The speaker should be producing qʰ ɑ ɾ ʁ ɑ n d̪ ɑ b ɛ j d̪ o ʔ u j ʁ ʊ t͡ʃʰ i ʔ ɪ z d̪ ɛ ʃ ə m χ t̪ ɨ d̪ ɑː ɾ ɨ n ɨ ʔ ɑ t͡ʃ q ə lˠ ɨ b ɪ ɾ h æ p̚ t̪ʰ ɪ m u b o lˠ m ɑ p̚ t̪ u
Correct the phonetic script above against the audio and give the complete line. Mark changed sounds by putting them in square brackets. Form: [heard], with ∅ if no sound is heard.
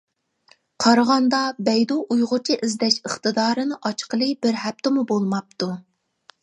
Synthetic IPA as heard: qʰ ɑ ɾ ʁ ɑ n d̪ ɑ b ɛ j d̪ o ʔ u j ʁ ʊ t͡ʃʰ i ʔ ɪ z d̪ ɛ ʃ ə [∅] χ t̪ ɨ d̪ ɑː ɾ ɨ n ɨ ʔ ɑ t͡ʃ q ə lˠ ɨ b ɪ ɾ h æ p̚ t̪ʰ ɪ m u b o lˠ m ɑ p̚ t̪ u